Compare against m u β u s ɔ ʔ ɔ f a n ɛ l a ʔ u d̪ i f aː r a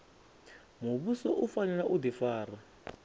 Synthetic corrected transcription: m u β u s ɔ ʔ u f a n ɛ l a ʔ u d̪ i f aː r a